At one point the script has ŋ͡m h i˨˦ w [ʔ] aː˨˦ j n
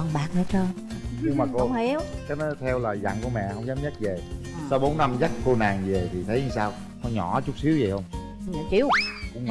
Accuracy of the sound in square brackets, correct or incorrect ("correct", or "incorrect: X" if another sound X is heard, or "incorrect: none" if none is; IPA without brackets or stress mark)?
incorrect: k